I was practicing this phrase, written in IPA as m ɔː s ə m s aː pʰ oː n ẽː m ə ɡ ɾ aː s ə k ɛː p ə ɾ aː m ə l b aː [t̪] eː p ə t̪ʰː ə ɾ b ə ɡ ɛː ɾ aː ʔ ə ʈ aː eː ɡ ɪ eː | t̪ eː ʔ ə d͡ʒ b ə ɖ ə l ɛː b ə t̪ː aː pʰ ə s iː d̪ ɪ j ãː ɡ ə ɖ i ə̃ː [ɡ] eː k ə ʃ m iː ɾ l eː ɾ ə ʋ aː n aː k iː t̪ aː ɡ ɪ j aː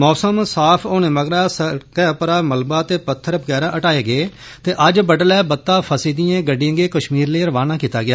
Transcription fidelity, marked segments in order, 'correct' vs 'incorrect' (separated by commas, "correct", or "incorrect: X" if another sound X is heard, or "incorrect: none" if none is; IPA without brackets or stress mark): correct, correct